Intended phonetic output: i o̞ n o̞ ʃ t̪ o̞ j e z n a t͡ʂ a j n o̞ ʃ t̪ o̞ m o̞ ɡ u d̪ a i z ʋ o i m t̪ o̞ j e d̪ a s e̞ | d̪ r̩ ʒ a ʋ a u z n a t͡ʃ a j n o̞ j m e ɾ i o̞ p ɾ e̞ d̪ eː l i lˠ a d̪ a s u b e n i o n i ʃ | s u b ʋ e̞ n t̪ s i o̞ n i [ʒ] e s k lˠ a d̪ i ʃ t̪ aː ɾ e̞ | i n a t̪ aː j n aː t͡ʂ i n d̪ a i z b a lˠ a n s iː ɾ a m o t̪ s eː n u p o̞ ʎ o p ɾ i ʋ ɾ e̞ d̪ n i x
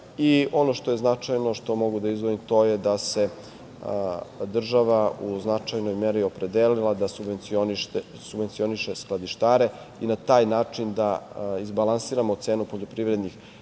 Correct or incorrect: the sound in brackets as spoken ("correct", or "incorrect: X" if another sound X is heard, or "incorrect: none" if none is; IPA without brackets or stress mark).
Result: incorrect: ʃ